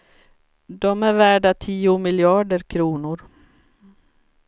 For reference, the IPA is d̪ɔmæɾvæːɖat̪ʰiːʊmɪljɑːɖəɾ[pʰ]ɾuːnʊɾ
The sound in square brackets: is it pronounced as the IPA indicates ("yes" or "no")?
no